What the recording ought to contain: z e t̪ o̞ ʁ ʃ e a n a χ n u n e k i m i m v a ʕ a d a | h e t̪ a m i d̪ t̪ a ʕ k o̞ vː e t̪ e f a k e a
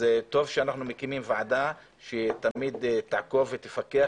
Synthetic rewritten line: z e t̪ o̞ v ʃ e a n a χ n u m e k i m i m v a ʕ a d a | ʃ e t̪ a m i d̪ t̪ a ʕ k o̞ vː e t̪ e f a k e a